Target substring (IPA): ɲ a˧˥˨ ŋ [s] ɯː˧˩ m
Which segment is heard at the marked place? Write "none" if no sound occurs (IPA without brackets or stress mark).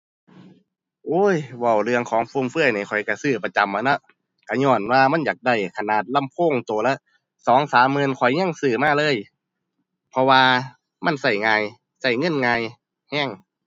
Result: s